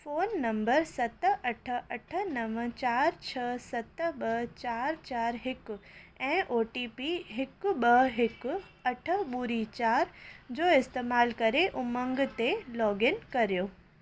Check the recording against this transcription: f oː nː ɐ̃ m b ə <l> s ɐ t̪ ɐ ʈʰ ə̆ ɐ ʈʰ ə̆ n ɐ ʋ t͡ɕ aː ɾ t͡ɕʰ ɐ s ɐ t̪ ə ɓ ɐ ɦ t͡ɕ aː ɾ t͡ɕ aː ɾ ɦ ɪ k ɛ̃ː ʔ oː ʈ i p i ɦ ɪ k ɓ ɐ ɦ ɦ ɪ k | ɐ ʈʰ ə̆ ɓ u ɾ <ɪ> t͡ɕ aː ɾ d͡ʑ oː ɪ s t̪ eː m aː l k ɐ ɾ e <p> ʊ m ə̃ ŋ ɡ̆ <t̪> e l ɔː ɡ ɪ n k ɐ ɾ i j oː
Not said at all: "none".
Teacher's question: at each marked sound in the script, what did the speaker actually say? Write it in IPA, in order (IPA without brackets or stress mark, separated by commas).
ɾ, i, ʔ, t̪